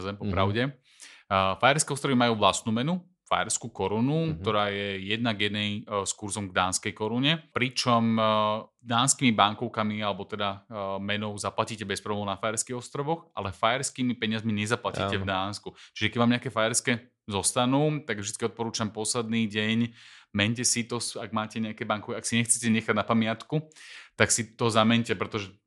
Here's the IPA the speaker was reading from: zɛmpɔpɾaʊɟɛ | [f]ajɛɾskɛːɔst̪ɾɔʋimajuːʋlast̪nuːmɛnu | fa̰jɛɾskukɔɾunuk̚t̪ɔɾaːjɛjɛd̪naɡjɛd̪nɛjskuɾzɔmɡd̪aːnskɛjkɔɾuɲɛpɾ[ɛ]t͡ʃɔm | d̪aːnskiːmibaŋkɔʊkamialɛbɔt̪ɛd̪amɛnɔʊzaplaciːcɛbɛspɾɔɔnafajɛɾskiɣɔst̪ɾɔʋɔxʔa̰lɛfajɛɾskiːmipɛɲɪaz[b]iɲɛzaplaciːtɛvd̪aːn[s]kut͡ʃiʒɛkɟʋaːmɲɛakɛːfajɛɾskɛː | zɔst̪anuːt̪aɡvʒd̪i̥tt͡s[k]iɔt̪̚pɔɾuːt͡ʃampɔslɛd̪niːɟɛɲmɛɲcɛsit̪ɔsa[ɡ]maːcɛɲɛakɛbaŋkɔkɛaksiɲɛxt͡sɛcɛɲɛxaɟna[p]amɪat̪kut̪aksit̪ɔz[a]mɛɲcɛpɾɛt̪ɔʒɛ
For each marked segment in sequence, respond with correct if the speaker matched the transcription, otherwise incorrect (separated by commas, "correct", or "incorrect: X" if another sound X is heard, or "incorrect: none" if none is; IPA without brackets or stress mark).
correct, incorrect: i, incorrect: m, correct, correct, correct, correct, correct